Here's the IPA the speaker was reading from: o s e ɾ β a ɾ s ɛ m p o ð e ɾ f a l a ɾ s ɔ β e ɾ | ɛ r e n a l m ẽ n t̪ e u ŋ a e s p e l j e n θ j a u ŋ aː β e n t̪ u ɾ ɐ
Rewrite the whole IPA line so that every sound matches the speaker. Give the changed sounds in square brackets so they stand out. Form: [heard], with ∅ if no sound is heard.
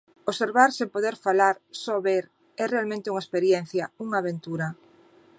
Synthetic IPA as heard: o s e ɾ β a ɾ s [e] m p o ð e ɾ f a l a ɾ s ɔ β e ɾ | ɛ r e [∅] a l m ẽ n t̪ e u ŋ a e s p e [ɾ] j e n θ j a u ŋ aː β e n t̪ u ɾ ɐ